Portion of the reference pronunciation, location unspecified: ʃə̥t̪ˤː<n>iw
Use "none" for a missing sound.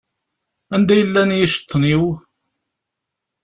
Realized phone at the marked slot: n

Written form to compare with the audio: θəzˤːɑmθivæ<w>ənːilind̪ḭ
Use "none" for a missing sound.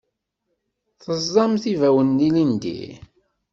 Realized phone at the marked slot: w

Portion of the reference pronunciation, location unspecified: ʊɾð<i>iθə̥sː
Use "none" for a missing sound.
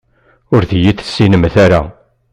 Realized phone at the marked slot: j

